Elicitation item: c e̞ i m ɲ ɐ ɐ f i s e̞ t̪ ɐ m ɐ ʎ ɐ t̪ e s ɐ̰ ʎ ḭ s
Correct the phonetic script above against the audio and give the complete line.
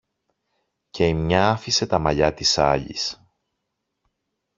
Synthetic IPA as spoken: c e̞ i m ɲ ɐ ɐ f i s e̞ t̪ ɐ m ɐ ʎ ɐ t̪ i s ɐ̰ ʎ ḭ s